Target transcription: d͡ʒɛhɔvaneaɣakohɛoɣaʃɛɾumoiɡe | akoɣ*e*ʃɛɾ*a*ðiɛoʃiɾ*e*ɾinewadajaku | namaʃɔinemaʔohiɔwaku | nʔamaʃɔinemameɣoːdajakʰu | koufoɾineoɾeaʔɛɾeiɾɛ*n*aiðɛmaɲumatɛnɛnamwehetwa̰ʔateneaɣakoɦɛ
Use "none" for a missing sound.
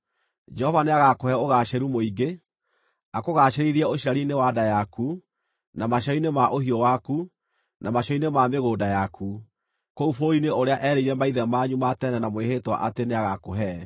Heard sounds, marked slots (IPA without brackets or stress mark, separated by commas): a, i, a, m